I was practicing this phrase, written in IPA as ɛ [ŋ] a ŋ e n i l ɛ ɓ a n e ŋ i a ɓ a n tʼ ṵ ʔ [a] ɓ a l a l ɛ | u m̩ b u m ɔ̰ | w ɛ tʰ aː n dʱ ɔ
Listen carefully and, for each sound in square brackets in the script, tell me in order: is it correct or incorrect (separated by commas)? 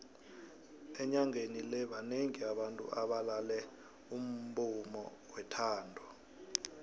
incorrect, correct